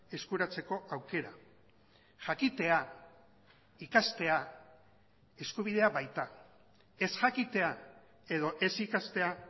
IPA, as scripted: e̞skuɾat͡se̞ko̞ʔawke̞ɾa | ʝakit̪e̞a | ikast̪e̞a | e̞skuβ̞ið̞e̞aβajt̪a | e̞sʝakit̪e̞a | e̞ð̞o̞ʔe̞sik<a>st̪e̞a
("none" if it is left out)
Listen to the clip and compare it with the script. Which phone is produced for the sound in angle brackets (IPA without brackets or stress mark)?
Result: a